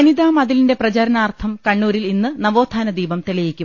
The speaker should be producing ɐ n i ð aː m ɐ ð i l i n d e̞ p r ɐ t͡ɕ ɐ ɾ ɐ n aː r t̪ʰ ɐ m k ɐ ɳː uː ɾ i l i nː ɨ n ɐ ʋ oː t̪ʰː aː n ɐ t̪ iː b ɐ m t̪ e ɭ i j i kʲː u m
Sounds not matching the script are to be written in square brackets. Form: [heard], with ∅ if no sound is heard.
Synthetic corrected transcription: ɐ n i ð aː m ɐ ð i l i n d e̞ p r ɐ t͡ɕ ɐ ɾ ɐ n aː r t̪ʰ ɐ m k ɐ ɳː uː ɾ i l i nː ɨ n ɐ ʋ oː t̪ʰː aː n ɐ [d̪] iː b ɐ m t̪ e ɭ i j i kʲː u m